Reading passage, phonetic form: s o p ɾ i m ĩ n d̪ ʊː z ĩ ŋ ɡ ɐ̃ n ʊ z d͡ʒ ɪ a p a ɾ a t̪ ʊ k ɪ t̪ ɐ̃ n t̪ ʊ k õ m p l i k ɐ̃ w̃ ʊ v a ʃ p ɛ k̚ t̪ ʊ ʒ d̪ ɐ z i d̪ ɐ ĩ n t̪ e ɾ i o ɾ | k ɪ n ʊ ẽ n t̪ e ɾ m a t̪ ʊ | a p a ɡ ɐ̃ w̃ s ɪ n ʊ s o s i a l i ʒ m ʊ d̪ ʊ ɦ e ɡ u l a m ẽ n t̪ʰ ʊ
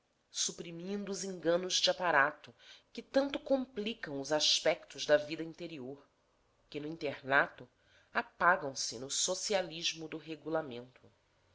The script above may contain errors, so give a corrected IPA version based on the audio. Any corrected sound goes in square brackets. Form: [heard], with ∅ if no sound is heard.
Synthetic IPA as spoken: s [u] p ɾ i m ĩ n d̪ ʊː z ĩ ŋ ɡ ɐ̃ n ʊ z d͡ʒ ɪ a p a ɾ a t̪ ʊ k ɪ t̪ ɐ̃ n t̪ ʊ k õ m p l i k ɐ̃ w̃ ʊ [z] a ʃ p ɛ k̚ t̪ ʊ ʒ d̪ ɐ [v] i d̪ ɐ ĩ n t̪ e ɾ i o ɾ | k ɪ n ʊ [ĩ] n t̪ e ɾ [n] a t̪ ʊ | a p a ɡ ɐ̃ w̃ s ɪ n ʊ s o s i a l i ʒ m ʊ d̪ ʊ ɦ e ɡ u l a m ẽ n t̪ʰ ʊ